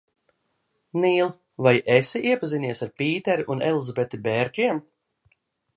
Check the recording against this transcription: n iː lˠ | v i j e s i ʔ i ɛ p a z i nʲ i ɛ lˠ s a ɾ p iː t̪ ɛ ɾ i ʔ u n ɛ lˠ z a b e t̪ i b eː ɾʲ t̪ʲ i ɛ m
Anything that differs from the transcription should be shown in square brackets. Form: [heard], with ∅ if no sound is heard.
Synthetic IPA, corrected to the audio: n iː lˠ | v [a] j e s i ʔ i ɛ p a z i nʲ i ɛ [∅] s a ɾ p iː t̪ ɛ ɾ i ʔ u n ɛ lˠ z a b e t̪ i b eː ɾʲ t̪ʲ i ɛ m